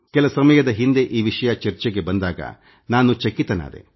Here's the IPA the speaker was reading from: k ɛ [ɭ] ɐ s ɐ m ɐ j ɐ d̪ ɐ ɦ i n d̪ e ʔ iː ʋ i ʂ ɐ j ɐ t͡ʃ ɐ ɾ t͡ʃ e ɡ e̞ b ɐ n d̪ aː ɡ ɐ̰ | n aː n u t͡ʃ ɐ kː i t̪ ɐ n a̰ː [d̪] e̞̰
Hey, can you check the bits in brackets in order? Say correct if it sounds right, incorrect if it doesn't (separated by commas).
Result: incorrect, correct